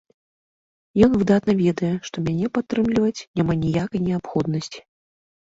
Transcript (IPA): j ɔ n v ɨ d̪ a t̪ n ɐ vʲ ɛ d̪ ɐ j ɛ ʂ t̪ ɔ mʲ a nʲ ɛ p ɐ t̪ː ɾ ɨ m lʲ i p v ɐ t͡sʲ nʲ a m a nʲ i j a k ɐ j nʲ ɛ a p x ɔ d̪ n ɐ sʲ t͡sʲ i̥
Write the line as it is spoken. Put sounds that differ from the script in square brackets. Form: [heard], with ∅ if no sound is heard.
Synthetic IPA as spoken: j ɔ n v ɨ d̪ a t̪ n ɐ vʲ ɛ d̪ ɐ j ɛ ʂ t̪ ɔ mʲ a nʲ ɛ p [a] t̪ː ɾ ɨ m lʲ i [∅] v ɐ t͡sʲ nʲ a m a nʲ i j a k ɐ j nʲ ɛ a p x ɔ d̪ n ɐ sʲ t͡sʲ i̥

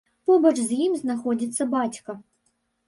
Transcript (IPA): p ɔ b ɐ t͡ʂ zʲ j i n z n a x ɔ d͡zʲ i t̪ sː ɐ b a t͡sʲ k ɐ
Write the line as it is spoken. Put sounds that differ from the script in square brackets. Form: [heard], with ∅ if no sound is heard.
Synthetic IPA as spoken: p ɔ b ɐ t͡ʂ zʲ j i [m] z n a x ɔ d͡zʲ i t̪ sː ɐ b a t͡sʲ k ɐ

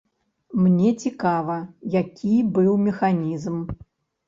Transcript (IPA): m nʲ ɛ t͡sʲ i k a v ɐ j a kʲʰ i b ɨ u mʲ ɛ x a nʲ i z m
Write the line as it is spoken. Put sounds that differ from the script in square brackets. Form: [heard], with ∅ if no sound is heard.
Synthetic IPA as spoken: m nʲ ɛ t͡sʲ i k a v ɐ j a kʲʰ i b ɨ [w] mʲ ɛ x a nʲ i z m

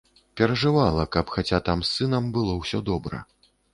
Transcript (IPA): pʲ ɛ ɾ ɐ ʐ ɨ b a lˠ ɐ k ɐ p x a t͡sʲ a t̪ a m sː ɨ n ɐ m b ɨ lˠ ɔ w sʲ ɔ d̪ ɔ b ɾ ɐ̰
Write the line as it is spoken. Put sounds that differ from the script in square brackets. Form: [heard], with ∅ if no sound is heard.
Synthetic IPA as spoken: pʲ ɛ ɾ ɐ ʐ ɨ [v] a lˠ ɐ k ɐ p x a t͡sʲ a t̪ a m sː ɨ n ɐ m b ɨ lˠ ɔ w sʲ ɔ d̪ ɔ b ɾ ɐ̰

